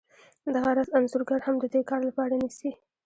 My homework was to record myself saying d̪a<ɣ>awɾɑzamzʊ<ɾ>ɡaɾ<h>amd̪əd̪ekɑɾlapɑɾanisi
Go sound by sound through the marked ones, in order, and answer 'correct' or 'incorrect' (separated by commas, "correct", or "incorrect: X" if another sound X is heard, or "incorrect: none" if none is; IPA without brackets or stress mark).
correct, correct, correct